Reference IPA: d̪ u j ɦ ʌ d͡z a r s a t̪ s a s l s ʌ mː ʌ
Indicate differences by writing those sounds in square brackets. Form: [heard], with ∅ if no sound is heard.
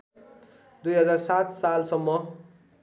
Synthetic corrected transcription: d̪ u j ɦ ʌ d͡z a r s a t̪ s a [∅] l s ʌ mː ʌ